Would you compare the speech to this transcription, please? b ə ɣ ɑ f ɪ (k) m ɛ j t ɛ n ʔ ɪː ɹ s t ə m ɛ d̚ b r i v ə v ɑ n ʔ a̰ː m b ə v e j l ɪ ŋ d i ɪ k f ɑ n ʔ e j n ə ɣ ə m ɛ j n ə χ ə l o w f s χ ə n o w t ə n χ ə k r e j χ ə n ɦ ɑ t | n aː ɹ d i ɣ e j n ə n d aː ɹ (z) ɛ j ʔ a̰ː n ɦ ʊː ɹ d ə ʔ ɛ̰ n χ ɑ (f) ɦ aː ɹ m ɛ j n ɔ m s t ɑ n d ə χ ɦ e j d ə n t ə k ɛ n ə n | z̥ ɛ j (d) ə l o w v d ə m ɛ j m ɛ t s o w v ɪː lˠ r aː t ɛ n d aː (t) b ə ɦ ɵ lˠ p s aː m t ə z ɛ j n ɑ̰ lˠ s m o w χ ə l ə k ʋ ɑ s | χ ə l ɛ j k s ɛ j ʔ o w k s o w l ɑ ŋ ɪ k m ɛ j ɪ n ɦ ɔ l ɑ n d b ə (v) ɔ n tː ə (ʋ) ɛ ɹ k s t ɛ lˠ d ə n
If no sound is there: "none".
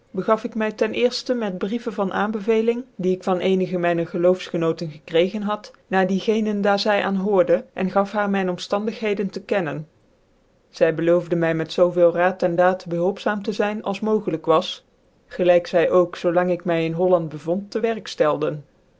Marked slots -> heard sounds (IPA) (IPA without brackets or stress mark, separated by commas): k, z, f, b, t, v, ʋ